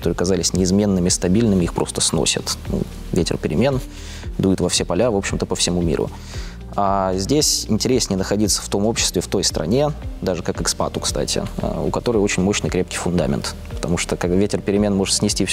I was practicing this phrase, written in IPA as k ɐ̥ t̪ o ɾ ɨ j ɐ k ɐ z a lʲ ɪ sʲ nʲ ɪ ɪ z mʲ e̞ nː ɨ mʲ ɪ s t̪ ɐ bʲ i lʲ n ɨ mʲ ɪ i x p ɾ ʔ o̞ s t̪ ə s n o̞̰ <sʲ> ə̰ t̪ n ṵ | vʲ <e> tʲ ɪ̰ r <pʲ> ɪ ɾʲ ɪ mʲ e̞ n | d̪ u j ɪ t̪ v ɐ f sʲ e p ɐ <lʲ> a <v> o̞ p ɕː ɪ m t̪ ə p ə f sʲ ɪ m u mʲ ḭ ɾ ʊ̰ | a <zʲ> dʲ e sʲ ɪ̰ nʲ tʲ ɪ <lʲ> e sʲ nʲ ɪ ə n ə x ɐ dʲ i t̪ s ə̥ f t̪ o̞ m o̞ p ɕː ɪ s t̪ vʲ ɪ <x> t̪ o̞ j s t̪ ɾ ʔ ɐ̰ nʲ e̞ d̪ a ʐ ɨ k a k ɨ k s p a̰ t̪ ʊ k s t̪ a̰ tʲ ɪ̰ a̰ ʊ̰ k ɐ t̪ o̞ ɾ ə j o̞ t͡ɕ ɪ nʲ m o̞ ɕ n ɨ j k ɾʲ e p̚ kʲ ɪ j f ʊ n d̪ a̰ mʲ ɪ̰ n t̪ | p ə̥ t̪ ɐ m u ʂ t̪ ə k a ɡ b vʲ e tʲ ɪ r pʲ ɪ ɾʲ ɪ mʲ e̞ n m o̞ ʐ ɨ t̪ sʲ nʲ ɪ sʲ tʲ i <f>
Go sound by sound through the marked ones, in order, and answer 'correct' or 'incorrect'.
correct, correct, correct, correct, correct, correct, incorrect: ɾʲ, incorrect: f, correct

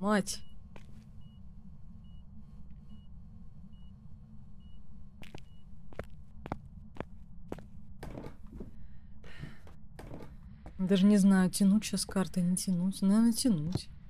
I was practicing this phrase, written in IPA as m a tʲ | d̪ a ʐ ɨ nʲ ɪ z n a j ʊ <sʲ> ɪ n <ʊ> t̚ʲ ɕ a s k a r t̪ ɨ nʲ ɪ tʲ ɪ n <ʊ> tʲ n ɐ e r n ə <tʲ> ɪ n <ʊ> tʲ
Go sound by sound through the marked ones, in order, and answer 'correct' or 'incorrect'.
incorrect: tʲ, incorrect: u, incorrect: u, correct, incorrect: u

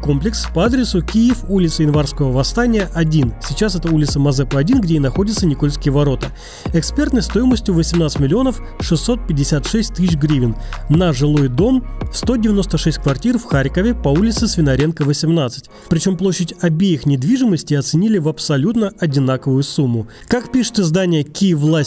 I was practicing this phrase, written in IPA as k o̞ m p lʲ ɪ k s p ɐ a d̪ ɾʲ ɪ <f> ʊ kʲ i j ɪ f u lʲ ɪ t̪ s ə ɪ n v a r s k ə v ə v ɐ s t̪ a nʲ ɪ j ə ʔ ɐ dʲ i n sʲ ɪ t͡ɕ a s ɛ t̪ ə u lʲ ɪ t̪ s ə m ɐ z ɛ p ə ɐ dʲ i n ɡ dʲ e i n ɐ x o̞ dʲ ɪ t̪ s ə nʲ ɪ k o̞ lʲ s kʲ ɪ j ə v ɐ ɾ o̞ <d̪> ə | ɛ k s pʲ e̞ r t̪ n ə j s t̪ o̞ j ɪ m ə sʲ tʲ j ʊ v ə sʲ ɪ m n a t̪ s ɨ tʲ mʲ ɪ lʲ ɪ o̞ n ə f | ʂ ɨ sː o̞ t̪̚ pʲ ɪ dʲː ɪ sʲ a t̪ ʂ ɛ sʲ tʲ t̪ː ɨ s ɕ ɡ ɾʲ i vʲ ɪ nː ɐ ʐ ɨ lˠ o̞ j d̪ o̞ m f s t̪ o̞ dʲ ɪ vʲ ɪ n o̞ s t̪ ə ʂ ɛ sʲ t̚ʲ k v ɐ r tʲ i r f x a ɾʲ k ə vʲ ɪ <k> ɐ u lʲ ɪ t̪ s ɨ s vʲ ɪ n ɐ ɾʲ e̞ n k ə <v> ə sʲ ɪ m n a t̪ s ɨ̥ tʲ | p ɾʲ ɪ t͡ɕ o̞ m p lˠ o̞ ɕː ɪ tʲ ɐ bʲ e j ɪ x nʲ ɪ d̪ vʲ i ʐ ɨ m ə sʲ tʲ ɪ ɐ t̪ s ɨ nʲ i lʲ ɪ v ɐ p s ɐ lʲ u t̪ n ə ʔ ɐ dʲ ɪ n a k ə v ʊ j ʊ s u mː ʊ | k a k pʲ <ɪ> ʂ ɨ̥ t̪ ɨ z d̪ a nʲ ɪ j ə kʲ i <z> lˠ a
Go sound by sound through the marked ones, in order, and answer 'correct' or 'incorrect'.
incorrect: s, incorrect: t̪, incorrect: p, correct, incorrect: i, incorrect: v

